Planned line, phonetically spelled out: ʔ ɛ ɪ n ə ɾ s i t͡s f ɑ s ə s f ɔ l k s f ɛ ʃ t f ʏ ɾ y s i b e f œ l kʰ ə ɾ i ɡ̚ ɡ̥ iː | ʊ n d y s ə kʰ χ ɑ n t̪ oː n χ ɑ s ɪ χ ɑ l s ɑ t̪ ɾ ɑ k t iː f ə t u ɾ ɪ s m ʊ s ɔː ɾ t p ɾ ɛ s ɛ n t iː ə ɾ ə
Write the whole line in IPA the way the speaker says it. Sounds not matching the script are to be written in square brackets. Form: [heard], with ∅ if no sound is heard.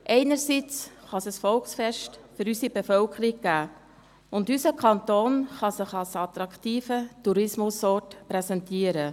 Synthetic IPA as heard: ʔ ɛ ɪ n ə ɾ s i t͡s [χ] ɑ s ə s f ɔ l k s f ɛ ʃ t f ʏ ɾ y s i b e f œ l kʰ ə ɾ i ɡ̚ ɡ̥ [æː] | ʊ n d y s ə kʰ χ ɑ n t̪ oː n χ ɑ s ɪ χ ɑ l s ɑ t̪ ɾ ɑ k t iː f ə t u ɾ ɪ s m ʊ s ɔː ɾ t p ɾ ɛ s ɛ n t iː ə ɾ ə